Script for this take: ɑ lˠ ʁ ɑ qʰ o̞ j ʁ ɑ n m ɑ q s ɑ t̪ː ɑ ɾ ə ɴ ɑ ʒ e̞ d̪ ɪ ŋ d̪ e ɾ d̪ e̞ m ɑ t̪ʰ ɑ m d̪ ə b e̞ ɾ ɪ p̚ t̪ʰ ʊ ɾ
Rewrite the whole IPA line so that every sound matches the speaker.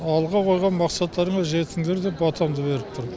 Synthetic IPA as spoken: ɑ lˠ ʁ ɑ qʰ o̞ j ʁ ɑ n m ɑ q s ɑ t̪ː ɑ ɾ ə ɴ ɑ ʒ e̞ t̪ ɪ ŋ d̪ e ɾ d̪ e̞ b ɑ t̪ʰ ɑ m d̪ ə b e̞ ɾ ɪ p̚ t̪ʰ ʊ ɾ